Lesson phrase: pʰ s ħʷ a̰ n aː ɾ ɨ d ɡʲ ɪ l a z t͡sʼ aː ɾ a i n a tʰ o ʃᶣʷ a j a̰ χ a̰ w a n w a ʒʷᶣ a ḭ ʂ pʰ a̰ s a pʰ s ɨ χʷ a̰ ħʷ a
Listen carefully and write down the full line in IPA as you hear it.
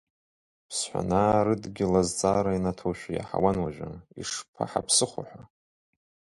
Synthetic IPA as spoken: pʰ s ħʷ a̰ n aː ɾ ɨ d ɡʲ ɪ l a z t͡sʼ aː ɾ a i n a tʰ o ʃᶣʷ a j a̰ ħ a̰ w a n w a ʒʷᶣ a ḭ ʂ pʰ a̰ ħ a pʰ s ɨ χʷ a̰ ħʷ a